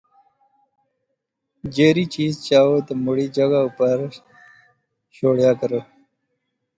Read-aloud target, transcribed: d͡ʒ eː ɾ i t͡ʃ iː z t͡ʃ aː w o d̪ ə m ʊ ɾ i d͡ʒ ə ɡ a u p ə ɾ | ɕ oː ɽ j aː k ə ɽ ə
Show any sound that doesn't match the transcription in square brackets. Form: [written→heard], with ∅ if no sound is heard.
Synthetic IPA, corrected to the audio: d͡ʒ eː ɾ i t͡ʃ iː z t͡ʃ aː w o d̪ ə m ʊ [ɾ→ɽ] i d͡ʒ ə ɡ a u p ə ɾ | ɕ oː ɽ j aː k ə [ɽ→ɾ] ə